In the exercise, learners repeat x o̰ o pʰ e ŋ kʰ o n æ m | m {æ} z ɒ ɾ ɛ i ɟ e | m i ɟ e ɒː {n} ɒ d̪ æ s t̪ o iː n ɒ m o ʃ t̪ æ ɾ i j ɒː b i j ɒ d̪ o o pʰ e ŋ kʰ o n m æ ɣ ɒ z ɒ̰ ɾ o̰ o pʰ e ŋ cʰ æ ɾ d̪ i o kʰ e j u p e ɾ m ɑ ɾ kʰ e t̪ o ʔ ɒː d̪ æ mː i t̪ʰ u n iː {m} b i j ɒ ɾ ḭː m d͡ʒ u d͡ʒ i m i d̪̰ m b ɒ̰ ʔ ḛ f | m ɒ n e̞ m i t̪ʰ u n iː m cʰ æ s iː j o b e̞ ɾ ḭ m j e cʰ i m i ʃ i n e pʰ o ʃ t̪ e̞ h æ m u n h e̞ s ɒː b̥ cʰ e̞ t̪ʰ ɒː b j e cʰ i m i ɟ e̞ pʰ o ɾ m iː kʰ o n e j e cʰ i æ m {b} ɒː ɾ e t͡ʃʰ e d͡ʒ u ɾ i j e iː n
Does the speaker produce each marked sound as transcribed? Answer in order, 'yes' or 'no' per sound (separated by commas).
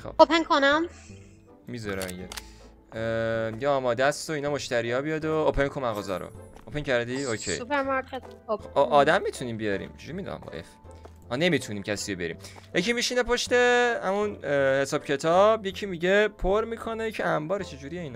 no, no, yes, yes